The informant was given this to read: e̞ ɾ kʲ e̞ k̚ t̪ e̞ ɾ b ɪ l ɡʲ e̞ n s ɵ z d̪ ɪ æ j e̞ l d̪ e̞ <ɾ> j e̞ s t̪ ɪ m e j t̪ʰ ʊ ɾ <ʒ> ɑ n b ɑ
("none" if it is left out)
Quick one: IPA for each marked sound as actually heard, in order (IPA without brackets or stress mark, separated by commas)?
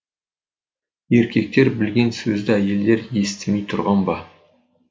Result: ɾ, ʁ